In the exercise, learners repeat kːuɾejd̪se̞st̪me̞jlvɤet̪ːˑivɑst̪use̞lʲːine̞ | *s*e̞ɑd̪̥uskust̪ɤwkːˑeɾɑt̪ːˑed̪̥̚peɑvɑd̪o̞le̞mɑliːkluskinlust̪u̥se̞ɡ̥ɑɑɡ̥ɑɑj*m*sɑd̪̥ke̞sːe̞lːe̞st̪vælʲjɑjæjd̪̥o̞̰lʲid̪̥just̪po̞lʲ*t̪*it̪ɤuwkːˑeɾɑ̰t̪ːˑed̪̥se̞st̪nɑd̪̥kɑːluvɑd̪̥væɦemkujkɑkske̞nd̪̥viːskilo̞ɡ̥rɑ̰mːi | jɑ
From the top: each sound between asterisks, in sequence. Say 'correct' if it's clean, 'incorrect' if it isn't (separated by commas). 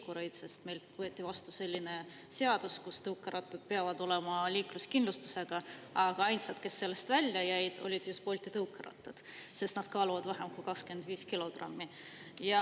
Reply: correct, incorrect, correct